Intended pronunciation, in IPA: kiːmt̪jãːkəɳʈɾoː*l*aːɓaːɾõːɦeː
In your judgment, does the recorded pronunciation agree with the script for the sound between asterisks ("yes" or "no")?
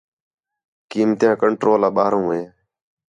yes